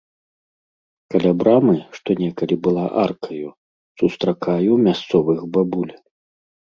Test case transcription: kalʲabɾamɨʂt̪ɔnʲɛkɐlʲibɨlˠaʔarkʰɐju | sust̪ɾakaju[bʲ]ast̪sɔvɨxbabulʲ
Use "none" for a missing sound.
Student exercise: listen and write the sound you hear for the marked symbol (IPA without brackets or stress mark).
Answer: mʲ